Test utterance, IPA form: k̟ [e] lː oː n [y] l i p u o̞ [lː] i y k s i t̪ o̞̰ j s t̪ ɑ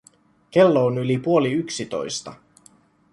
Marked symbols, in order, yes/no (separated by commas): yes, yes, no